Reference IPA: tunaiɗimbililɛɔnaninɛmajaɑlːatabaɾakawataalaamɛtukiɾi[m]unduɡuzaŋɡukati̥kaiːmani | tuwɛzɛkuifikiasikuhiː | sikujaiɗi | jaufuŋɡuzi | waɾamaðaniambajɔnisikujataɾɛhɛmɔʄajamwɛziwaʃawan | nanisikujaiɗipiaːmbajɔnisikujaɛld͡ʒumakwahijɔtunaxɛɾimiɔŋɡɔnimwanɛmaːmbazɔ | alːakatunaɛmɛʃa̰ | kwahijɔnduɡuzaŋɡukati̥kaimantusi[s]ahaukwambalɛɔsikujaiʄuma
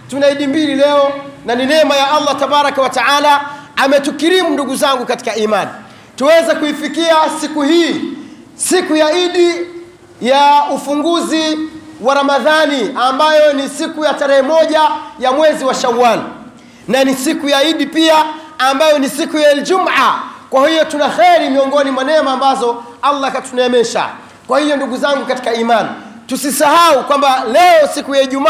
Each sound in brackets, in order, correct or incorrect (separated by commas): correct, correct